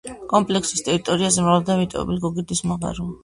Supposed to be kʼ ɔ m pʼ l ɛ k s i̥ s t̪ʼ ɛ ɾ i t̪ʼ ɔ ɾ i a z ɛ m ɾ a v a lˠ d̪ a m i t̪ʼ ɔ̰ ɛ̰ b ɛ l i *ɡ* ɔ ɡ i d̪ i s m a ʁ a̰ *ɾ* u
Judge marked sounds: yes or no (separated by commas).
yes, yes